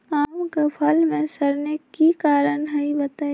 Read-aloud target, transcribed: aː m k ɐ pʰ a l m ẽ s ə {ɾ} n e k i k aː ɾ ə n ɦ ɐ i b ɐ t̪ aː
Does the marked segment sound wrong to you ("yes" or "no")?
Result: no